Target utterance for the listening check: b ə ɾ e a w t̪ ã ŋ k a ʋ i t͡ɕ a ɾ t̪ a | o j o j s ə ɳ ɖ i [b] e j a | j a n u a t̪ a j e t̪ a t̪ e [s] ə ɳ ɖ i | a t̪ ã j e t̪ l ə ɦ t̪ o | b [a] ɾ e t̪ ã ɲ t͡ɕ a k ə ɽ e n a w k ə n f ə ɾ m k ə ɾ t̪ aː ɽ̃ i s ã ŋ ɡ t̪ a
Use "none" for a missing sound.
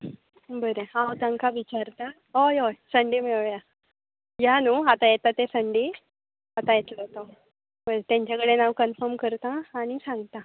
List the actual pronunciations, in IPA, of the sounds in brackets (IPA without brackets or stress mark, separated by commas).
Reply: m, s, ə